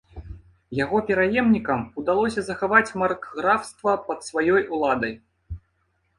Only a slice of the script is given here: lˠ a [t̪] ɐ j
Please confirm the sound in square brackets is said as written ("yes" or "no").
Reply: no